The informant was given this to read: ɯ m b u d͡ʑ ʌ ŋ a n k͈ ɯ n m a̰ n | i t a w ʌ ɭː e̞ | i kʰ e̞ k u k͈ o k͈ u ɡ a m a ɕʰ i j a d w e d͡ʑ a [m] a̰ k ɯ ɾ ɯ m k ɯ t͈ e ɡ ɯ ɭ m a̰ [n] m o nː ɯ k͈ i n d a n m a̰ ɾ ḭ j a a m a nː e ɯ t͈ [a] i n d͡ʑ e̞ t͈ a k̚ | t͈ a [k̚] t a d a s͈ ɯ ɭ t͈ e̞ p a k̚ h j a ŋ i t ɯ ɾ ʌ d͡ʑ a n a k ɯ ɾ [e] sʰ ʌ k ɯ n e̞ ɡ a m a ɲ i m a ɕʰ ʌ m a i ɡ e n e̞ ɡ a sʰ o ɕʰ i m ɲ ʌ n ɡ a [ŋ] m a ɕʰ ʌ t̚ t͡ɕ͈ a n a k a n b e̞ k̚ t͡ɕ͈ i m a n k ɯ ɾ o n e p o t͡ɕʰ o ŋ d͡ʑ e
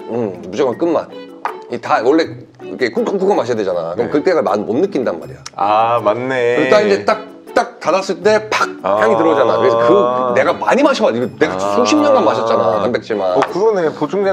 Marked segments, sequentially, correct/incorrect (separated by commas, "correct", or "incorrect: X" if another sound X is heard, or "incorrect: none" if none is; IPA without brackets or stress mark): incorrect: n, correct, correct, correct, correct, incorrect: n